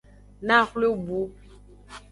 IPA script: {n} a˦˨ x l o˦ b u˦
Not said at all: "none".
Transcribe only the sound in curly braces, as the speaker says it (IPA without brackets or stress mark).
n